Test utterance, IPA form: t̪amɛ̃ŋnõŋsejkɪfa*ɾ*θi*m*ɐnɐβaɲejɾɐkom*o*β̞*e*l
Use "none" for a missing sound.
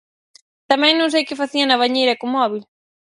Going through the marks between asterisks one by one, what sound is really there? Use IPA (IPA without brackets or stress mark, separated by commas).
none, none, ɔ, i